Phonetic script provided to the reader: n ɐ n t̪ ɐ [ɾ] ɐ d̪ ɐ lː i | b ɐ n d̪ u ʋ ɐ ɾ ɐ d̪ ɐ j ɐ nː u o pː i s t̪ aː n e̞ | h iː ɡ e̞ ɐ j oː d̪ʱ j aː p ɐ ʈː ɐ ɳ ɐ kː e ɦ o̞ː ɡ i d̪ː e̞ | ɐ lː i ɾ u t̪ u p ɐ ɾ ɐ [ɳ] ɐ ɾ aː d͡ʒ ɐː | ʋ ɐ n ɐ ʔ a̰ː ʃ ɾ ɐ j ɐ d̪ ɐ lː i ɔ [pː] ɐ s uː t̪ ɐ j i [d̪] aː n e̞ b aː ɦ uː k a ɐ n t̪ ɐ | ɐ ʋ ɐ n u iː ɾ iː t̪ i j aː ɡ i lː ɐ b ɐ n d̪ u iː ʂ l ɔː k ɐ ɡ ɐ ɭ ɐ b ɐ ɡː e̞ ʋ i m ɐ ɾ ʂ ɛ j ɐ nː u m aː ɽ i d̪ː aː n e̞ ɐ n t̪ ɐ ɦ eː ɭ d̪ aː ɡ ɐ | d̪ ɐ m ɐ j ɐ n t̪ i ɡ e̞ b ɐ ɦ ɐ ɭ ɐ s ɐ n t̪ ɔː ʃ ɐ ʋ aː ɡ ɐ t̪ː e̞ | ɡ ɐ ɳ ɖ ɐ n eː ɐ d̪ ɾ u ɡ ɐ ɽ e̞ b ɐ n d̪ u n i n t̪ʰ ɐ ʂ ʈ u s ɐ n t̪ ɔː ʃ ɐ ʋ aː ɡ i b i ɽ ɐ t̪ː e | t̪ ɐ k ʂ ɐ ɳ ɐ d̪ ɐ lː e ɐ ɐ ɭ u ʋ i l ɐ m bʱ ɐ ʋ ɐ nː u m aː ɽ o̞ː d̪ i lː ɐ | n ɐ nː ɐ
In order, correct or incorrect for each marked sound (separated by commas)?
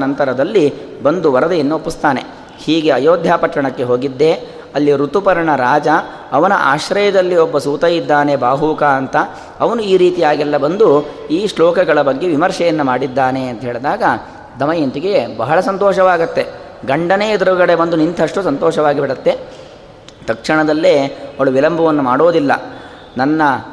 correct, correct, incorrect, incorrect